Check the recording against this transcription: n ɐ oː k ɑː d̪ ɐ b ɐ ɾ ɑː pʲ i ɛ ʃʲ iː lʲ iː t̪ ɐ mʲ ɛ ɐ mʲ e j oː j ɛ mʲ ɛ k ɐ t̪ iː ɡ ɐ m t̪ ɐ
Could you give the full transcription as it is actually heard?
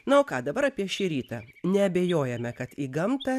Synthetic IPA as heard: n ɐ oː k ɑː d̪ ɐ b ɐ ɾ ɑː pʲ i ɛ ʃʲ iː ɾʲ iː t̪ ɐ nʲ ɛ ɐ bʲ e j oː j ɛ mʲ ɛ k ɐ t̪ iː ɡ ɐ m t̪ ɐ